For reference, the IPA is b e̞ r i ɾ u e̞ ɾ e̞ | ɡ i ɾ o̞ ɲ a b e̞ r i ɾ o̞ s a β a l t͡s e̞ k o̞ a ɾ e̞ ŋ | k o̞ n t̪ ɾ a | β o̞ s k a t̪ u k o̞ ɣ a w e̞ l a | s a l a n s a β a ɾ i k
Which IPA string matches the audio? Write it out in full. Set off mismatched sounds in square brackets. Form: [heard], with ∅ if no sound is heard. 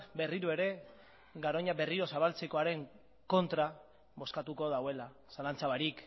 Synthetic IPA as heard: b e̞ r i ɾ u e̞ ɾ e̞ | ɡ [a] ɾ o̞ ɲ a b e̞ r i ɾ o̞ s a β a l t͡s e̞ k o̞ a ɾ e̞ ŋ | k o̞ n t̪ ɾ a | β o̞ s k a t̪ u k o̞ [ð] a w e̞ l a | s a l a n [t͡s] a β a ɾ i k